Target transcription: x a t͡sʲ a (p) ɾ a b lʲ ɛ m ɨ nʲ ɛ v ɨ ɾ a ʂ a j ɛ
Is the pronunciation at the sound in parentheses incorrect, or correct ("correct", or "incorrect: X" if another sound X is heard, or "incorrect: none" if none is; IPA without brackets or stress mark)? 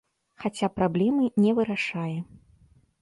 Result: correct